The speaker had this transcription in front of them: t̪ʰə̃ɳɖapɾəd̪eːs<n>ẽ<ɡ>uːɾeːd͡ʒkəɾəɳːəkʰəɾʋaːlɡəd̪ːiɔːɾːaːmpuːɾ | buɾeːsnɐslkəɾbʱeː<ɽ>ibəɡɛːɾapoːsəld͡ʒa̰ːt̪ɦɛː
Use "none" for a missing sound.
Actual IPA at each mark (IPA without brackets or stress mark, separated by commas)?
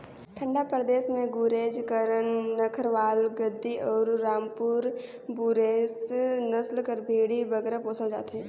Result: m, ɡ, ɽ